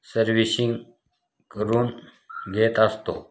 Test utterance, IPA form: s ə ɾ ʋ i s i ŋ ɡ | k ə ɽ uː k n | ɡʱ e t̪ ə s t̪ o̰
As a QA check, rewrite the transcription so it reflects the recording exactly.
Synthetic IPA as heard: s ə ɾ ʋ i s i ŋ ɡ | k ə ɾ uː n | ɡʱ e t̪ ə s t̪ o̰

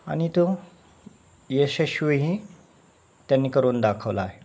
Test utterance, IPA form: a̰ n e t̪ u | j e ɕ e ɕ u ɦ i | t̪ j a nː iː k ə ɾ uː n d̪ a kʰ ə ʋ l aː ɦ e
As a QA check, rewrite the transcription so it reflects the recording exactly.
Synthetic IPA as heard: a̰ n i t̪ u | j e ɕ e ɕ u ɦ i | t̪ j a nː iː k ə ɾ uː n d̪ a kʰ ə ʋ l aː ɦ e

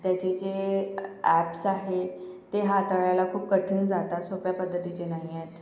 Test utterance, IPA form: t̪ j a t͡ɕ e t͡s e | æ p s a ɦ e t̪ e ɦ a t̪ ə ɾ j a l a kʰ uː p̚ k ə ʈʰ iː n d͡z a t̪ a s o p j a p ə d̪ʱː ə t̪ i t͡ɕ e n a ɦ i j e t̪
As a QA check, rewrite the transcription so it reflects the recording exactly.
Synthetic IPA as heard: t̪ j a t͡ɕ e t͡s e | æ p s a ɦ e t̪ e ɦ a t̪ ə ɭ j a l a kʰ uː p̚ k ə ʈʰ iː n d͡z a t̪ a s o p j a p ə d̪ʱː ə t̪ i t͡ɕ e n a ɦ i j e t̪

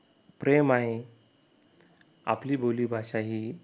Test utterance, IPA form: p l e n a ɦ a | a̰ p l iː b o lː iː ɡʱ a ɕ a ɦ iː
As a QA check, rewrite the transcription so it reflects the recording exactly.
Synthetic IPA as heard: p ɾ e m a ɦ e | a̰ p l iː b o l iː bʱ a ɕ a ɦ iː

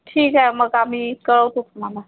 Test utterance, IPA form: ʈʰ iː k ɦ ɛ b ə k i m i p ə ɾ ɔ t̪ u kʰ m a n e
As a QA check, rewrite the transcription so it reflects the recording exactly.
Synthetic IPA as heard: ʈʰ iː k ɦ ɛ m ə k a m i k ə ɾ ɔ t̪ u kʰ m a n a

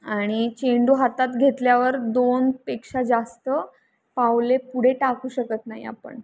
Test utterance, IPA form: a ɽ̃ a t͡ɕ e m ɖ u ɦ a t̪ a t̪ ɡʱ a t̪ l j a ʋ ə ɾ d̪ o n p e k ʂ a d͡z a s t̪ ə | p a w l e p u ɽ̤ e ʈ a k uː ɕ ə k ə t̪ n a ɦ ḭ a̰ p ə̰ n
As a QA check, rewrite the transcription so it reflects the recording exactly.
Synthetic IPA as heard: a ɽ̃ i t͡ɕ e ɳ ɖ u ɦ a t̪ a t̪ ɡʱ e t̪ l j a ʋ ə ɾ d̪ o n p e k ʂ a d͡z a s t̪ ə | p a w l e p u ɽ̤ e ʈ a k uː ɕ ə k ə t̪ n a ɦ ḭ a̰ p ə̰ ɳ

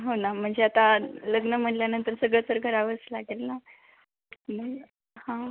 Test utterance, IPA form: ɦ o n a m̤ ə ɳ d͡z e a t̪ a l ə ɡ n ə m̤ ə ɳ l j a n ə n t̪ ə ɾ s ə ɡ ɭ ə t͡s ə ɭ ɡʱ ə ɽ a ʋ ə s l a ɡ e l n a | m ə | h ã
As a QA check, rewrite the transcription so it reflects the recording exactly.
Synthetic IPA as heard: ɦ o n a m̤ ə ɳ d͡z e a t̪ a l ə ɡ n ə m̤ ə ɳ l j a n ə n t̪ ə ɾ s ə ɡ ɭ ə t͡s ə ɾ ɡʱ ə ɾ a ʋ ə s l a ɡ e l n a | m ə | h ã

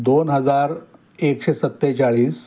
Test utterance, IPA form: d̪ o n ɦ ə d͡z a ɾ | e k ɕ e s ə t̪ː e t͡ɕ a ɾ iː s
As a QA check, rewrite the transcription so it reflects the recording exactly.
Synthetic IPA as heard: d̪ o n ɦ ə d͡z a ɾ | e k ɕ e s ə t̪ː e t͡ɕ a ɭ iː s

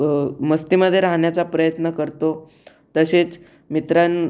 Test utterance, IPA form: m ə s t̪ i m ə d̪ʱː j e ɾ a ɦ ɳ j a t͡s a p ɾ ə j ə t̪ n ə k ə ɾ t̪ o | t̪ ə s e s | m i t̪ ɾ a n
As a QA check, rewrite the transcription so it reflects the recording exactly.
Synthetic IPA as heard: m ə s t̪ i m ə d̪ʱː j e ɾ a ɦ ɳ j a t͡s a p ɾ ə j ə t̪ n ə k ə ɾ t̪ o | t̪ ə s e t͡s | m i t̪ ɾ a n

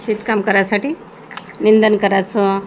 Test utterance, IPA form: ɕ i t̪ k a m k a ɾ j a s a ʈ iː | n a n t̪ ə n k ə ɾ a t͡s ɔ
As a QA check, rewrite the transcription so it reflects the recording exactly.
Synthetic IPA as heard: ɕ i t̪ k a m k ə ɾ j a s a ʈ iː | n i n d̪ ə n k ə ɾ a t͡s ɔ

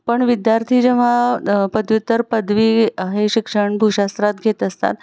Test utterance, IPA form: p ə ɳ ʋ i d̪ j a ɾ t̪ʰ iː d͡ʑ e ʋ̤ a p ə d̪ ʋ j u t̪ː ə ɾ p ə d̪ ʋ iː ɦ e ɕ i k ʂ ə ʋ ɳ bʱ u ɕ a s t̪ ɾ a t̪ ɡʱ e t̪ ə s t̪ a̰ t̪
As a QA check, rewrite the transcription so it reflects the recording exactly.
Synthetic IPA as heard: p ə ɳ ʋ i d̪ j a ɾ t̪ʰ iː d͡ʑ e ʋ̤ a p ə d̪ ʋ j u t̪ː ə ɾ p ə d̪ ʋ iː ɦ e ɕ i k ʂ ə ɳ bʱ u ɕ a s t̪ ɾ a t̪ ɡʱ e t̪ ə s t̪ a̰ t̪

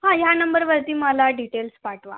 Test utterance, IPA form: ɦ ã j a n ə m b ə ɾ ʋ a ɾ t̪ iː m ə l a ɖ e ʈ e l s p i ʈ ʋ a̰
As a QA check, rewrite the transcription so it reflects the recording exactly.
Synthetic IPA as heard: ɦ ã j a n ə m b ə ɾ ʋ ə ɾ t̪ iː m ə l a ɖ i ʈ e l s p a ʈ ʋ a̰

